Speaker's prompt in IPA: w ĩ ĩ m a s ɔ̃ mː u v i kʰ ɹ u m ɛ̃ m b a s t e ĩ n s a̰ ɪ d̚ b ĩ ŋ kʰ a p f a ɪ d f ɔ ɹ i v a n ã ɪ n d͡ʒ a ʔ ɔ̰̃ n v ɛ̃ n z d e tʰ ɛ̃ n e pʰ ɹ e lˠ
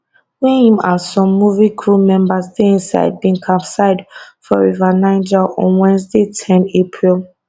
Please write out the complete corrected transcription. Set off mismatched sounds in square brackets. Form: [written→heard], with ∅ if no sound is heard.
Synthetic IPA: w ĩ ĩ m a s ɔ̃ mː u v i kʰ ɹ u m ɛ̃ m b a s [t→d] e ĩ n s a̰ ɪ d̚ b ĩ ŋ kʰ a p [f→s] a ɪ d f ɔ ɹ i v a n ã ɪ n d͡ʒ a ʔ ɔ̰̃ n [v→w] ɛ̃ n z d e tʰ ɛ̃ n e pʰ ɹ [e→i] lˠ